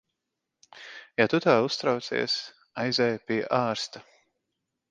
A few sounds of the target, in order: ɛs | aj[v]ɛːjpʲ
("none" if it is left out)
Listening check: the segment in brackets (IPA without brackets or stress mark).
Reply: z